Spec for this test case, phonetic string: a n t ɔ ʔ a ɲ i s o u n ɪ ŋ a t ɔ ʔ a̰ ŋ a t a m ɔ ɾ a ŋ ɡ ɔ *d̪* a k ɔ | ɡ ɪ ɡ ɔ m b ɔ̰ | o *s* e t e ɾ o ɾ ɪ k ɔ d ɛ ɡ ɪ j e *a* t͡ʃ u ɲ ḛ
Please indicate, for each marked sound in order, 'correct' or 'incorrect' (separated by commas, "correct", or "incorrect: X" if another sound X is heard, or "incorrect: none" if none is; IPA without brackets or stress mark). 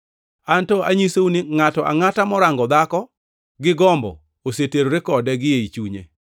correct, correct, incorrect: i